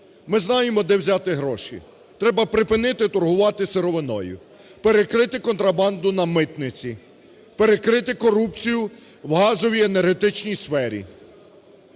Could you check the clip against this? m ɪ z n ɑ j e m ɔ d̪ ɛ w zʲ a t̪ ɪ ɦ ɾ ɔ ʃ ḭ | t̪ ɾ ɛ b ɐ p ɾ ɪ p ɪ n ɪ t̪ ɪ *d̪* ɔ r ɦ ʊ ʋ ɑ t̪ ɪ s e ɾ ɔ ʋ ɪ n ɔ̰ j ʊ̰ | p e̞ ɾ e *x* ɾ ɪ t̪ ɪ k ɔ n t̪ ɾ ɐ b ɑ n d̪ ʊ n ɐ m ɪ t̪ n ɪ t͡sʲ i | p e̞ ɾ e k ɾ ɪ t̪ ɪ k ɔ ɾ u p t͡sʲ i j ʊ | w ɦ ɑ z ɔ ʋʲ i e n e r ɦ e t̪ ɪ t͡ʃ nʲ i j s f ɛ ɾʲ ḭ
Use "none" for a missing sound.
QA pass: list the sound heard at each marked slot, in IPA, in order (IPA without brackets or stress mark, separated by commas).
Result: t̪, k